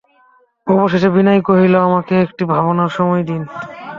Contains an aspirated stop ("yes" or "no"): no